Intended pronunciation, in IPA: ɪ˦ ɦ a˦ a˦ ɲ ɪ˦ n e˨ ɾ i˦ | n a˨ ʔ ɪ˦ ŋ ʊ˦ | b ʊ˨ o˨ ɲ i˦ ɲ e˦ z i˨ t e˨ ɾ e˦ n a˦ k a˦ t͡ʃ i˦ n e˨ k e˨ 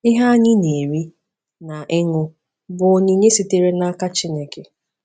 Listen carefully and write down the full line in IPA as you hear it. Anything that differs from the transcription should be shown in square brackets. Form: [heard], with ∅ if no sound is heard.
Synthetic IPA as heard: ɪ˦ ɦ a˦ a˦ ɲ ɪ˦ n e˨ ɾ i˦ | n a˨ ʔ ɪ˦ ŋ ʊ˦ | b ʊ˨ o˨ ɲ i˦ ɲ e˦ [s] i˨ t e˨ ɾ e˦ n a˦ k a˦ t͡ʃ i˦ n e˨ k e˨